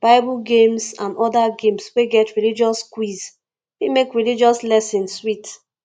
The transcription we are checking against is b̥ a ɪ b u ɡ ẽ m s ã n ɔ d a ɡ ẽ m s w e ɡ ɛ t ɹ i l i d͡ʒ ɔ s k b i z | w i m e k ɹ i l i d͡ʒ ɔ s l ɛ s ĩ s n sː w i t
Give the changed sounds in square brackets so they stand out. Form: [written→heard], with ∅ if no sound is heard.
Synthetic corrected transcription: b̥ a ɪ b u ɡ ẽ m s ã n ɔ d a ɡ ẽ m s w e ɡ ɛ t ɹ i l i d͡ʒ ɔ s k [b→w] i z | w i m e k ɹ i l i d͡ʒ ɔ s l ɛ s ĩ [s→∅] n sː w i t